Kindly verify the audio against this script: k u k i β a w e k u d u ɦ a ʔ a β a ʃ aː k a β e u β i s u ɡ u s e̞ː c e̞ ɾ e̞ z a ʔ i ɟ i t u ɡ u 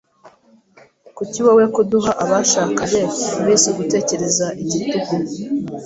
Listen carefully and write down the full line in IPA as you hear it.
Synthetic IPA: k u c i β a w e k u d u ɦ a ʔ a β a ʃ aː k a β e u β i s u ɡ u t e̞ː c e̞ ɾ e̞ z a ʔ i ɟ i t u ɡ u